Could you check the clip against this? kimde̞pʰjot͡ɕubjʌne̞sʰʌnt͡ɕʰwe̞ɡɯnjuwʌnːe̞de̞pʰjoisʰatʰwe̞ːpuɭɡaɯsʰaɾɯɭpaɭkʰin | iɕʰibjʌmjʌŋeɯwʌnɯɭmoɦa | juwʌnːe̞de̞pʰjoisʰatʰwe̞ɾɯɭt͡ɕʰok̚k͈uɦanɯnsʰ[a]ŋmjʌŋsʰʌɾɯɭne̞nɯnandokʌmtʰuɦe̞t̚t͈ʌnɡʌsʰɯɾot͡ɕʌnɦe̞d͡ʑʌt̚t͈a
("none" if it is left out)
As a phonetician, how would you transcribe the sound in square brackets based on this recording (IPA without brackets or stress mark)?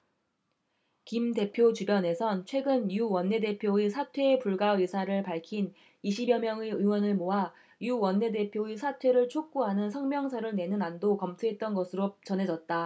ʌ